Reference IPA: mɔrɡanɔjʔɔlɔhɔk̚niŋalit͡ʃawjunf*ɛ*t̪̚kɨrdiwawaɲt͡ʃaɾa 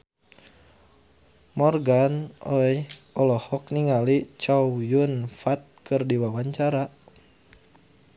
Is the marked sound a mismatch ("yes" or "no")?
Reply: yes